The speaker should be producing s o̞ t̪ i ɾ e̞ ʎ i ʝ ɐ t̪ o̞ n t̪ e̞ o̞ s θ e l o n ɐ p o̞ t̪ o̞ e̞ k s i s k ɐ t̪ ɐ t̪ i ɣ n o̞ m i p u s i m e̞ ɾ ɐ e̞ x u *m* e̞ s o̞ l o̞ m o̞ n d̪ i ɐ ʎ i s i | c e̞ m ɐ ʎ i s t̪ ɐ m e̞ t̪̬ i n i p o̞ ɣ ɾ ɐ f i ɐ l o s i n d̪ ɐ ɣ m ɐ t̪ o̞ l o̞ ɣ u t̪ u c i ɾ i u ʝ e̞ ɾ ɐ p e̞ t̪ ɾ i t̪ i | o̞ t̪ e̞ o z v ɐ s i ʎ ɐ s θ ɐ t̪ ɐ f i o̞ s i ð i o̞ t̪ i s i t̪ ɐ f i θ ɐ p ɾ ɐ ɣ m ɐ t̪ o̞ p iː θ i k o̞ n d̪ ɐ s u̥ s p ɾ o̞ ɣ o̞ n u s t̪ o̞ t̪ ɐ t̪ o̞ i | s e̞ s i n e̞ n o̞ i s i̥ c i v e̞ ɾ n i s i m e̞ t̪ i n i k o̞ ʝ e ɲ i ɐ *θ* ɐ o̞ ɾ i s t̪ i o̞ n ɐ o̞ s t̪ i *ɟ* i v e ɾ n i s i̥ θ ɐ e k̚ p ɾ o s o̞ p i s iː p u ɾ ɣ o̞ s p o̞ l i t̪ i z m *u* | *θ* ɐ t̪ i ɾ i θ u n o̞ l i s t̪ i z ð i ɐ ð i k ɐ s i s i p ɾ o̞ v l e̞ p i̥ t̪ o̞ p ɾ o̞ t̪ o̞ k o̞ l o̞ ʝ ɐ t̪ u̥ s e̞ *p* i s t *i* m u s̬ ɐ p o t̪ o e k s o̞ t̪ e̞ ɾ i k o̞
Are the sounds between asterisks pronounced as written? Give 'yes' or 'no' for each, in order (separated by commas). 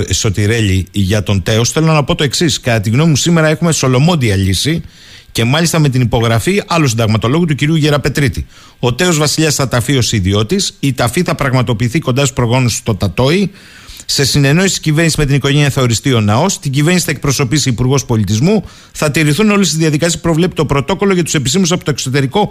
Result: yes, yes, yes, yes, yes, yes, yes